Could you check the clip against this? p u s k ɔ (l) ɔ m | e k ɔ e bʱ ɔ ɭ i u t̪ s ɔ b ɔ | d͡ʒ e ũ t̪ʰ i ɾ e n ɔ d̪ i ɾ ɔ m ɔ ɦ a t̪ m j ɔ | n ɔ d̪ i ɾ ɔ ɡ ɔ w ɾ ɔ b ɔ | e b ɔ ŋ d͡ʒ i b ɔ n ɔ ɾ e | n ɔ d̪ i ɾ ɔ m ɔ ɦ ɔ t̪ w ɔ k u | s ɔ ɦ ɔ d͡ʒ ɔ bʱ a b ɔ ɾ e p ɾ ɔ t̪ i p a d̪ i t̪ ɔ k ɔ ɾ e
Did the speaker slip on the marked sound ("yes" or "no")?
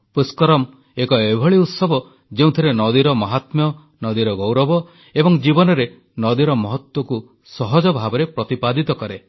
yes